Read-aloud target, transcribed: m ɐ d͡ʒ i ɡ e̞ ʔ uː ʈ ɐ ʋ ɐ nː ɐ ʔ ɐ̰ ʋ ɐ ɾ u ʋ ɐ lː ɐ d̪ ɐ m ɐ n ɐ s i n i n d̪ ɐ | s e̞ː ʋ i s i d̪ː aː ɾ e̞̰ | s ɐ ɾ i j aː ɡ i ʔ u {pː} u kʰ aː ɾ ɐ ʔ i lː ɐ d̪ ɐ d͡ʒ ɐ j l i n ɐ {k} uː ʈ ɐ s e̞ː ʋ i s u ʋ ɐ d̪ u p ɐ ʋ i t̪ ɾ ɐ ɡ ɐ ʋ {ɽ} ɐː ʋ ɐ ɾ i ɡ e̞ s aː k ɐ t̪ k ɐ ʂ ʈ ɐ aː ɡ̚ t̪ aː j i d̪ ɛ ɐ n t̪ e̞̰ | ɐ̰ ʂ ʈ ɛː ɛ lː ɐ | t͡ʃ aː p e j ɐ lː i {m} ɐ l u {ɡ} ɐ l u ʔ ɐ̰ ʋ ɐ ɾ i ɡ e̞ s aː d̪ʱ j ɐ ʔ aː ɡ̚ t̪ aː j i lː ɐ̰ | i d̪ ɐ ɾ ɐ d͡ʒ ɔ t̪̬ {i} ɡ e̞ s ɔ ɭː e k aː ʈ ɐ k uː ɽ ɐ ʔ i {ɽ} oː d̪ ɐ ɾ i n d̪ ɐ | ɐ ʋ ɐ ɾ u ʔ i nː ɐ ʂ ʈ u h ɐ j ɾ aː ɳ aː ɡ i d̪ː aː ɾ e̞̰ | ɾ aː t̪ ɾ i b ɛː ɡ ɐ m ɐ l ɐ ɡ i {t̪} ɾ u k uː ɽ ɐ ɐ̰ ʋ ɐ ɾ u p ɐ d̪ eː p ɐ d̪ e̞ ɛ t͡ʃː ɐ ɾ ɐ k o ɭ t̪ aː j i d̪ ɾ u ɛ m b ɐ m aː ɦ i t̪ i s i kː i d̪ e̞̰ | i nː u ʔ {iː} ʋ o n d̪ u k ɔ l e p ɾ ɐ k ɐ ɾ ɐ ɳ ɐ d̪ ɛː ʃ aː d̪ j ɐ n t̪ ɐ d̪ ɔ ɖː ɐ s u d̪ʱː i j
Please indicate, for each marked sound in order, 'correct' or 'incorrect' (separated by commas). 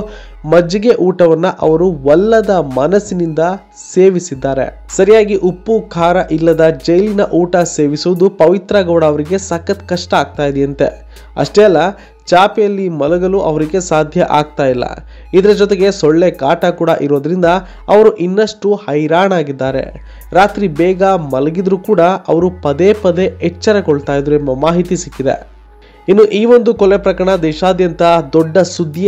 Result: correct, incorrect, correct, correct, correct, incorrect, incorrect, incorrect, correct